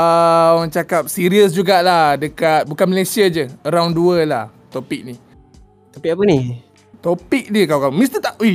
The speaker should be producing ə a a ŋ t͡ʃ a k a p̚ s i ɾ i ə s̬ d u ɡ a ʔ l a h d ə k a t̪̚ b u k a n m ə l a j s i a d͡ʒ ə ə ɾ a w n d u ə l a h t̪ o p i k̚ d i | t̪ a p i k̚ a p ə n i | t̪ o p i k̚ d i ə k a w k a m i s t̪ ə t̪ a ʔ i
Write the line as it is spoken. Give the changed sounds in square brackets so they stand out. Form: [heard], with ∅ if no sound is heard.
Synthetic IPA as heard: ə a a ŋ t͡ʃ a k a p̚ s i ɾ i ə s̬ [d͡ʒ] u ɡ a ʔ l a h d ə k a t̪̚ b u k a n m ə l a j s i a d͡ʒ ə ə ɾ a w n d u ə l a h t̪ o p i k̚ [n] i | t̪ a p i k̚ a p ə n i | t̪ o p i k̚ d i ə k a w k a m i s t̪ ə t̪ a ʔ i